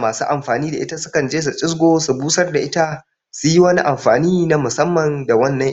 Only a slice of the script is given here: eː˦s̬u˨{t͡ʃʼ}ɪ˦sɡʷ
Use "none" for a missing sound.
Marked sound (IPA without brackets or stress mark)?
t͡ʃʼ